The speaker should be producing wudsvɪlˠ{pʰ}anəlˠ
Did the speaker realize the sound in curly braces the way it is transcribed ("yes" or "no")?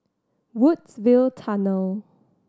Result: no